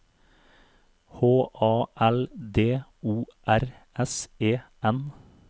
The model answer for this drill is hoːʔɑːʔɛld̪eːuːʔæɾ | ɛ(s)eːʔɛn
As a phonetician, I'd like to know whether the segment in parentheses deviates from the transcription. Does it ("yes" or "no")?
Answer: no